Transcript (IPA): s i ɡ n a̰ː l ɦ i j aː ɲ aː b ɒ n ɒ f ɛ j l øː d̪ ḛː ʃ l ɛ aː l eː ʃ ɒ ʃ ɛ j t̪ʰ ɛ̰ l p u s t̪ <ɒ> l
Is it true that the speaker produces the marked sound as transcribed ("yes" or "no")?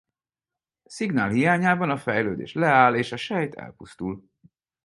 no